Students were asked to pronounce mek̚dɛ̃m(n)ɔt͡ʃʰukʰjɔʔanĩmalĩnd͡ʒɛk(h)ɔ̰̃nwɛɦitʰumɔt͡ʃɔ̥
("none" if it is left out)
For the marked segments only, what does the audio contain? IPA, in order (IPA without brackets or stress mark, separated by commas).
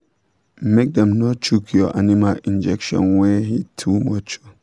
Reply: n, ʃ